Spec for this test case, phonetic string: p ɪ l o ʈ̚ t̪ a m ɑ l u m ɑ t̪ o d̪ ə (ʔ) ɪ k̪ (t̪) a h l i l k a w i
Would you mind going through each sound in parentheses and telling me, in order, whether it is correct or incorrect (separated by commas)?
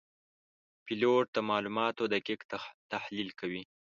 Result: incorrect, correct